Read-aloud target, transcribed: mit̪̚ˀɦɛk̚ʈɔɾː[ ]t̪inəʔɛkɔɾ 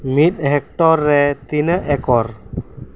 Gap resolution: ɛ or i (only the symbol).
ɛ